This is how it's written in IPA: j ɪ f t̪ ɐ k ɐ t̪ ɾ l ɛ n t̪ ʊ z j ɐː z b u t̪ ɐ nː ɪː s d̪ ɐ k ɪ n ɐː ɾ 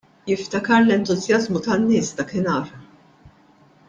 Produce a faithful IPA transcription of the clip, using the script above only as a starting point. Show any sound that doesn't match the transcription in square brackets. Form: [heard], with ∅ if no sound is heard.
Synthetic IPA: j ɪ f t̪ ɐ k ɐ [∅] ɾ l ɛ n t̪ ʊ z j [ɐ] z [m] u t̪ ɐ nː ɪː s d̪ ɐ k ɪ n ɐː ɾ